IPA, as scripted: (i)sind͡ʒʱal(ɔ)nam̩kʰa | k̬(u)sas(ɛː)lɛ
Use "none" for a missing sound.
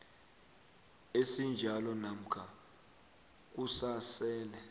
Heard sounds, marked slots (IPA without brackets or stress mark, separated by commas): e, ɔ, u, ɛː